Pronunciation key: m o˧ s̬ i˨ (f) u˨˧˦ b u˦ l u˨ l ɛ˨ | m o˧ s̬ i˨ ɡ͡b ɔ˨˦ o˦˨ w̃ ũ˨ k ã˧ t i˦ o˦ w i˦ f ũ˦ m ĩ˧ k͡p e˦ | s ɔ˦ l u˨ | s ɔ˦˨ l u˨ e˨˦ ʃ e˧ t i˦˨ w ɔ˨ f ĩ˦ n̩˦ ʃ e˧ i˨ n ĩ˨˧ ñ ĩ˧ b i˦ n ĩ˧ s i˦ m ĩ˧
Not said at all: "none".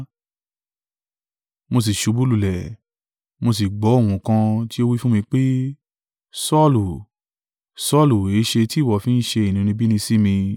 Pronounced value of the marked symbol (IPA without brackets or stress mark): ʃ